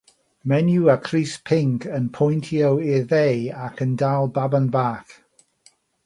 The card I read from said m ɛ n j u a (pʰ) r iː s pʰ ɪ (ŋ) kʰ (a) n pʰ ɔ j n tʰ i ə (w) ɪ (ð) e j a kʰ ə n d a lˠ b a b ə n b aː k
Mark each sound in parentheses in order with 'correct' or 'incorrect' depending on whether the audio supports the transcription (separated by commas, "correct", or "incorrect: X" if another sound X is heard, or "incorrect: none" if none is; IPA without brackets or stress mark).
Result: incorrect: kʰ, correct, incorrect: ə, correct, correct